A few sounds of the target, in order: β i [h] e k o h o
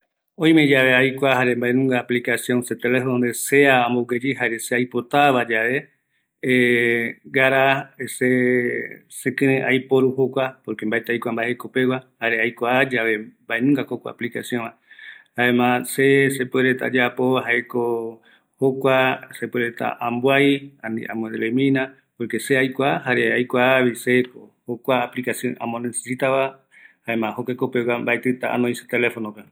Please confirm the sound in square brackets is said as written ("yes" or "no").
no